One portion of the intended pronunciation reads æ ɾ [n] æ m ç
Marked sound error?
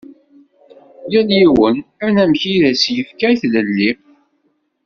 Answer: no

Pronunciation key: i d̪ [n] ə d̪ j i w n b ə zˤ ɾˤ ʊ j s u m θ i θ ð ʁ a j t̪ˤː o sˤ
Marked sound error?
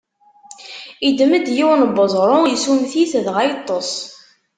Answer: yes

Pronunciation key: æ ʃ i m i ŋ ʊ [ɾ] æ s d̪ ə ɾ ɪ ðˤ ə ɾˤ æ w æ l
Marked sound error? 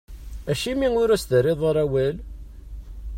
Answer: no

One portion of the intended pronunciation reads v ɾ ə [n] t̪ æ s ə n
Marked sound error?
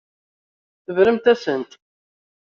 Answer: yes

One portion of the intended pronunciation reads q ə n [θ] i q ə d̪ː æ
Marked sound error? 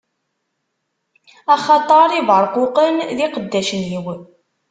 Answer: yes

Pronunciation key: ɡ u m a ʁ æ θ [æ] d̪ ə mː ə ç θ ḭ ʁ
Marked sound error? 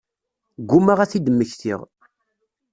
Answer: yes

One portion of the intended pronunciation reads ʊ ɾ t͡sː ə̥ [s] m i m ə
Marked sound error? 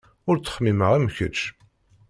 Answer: yes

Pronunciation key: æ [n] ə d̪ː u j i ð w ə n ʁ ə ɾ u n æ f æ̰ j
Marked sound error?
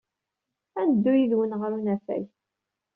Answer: no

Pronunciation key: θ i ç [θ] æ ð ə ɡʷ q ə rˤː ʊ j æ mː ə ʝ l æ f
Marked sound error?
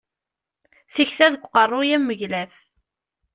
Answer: no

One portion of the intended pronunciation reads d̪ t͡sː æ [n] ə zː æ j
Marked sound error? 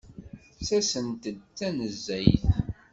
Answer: no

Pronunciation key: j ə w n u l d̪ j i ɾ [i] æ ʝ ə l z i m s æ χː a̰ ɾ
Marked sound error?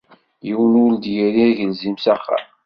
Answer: no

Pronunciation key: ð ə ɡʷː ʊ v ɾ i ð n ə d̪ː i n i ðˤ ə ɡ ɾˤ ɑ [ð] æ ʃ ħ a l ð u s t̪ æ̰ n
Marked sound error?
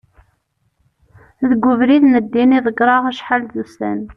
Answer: yes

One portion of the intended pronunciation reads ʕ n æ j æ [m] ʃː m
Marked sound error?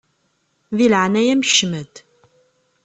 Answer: no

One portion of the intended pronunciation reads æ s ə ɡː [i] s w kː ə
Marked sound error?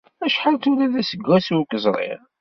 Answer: yes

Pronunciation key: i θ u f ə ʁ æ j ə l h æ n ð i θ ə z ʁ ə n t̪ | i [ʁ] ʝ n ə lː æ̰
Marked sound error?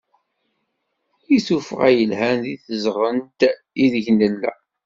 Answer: yes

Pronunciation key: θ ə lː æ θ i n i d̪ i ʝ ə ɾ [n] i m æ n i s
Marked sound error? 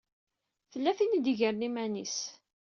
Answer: no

